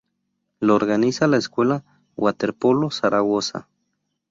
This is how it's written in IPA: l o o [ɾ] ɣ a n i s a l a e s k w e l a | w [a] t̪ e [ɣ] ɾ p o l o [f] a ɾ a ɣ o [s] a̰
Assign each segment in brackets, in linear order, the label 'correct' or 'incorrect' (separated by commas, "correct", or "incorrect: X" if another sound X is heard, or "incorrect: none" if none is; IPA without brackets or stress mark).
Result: correct, correct, incorrect: none, incorrect: s, correct